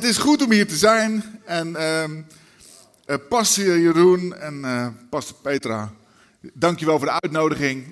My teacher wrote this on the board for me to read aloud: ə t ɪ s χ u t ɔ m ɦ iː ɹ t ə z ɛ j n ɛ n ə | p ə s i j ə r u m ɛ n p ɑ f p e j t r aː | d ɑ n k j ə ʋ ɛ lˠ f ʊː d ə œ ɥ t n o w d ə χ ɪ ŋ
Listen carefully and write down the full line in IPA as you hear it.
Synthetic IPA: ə t ɪ s χ u t ɔ m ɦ iː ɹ t ə z ɛ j n ɛ n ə | p ɑ s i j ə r u n ɛ n p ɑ s p e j t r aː | d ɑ ŋ k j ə ʋ ɛ lˠ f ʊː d ə œ ɥ t n o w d ə χ ɪ ŋ